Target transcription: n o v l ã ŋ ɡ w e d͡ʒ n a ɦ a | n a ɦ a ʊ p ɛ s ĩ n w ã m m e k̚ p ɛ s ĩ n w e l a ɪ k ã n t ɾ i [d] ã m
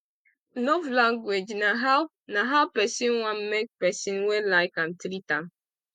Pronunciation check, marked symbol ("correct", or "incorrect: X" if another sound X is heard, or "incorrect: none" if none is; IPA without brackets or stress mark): incorrect: t